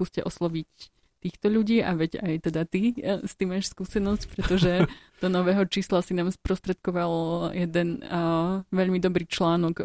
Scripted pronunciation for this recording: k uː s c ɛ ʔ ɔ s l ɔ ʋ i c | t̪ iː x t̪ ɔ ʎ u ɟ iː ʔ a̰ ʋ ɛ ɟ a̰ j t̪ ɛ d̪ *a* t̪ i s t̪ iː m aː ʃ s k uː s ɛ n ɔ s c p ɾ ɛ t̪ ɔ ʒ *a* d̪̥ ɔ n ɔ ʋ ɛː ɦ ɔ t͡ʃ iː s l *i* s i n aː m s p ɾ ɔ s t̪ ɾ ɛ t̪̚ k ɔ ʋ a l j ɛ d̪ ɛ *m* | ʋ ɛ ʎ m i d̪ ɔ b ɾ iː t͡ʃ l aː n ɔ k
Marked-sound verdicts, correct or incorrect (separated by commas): correct, incorrect, incorrect, incorrect